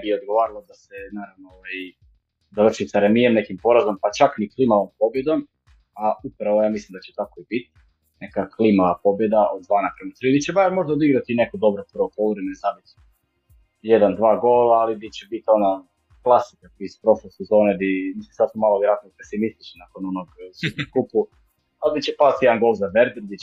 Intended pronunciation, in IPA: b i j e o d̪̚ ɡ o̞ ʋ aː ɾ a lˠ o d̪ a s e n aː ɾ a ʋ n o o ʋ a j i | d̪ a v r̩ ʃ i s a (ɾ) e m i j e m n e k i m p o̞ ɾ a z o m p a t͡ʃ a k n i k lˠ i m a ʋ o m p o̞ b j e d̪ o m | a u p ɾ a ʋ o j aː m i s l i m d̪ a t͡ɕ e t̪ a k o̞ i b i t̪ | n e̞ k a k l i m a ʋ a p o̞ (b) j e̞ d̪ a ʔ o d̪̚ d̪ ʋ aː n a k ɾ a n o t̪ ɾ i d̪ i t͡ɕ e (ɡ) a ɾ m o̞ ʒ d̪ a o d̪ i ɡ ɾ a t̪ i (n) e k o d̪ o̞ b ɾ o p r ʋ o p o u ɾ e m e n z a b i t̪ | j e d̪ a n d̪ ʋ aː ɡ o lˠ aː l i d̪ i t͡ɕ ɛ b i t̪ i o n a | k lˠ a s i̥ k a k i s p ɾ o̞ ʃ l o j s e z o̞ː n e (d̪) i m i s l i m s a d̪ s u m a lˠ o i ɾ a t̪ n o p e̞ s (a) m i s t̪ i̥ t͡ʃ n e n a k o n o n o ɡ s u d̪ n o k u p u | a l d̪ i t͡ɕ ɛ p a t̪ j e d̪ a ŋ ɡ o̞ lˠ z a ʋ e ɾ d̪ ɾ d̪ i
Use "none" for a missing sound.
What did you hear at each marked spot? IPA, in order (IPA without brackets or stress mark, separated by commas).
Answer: ɾ, b, b, n, d̪, i